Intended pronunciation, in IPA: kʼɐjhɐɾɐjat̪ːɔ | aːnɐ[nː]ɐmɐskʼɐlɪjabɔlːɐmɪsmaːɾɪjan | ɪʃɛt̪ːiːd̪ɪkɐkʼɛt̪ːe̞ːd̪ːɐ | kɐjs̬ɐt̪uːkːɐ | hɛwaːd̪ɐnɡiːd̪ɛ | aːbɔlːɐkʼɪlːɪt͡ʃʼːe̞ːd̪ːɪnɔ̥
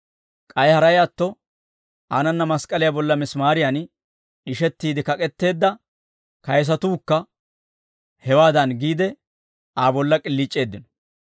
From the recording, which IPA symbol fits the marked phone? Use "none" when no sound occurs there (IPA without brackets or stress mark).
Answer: nː